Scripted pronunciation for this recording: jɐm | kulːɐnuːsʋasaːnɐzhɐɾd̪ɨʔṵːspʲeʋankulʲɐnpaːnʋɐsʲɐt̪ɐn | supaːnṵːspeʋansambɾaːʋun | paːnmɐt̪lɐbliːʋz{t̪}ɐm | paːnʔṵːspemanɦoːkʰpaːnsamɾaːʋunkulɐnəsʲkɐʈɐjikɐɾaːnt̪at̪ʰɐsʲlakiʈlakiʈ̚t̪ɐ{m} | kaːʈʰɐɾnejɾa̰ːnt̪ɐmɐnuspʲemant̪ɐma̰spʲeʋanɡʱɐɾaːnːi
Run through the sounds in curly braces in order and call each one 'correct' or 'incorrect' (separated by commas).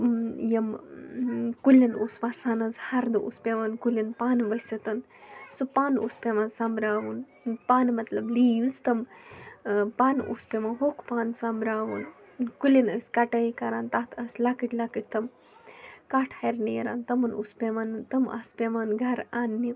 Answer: correct, correct